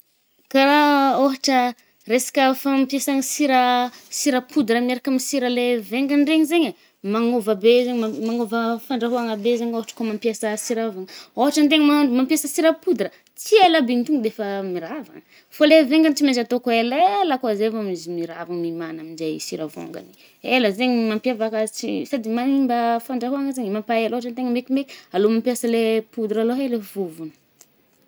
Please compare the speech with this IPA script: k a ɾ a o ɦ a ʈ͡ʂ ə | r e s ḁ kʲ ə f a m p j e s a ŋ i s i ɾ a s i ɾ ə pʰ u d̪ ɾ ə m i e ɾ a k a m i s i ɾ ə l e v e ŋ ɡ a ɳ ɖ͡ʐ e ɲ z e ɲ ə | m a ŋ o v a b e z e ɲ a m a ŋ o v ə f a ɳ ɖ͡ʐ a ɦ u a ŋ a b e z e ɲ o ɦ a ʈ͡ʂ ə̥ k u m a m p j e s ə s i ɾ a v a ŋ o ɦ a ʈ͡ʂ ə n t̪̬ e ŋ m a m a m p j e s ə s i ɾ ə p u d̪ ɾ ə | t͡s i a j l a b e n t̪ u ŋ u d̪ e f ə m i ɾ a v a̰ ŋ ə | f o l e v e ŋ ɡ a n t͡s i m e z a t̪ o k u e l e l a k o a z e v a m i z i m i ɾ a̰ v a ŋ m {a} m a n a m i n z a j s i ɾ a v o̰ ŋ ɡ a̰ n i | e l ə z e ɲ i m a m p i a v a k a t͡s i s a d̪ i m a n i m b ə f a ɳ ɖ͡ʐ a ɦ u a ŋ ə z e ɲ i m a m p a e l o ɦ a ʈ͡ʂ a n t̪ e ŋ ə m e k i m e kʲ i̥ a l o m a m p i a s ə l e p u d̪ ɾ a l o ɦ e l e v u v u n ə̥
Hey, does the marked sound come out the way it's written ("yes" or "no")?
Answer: no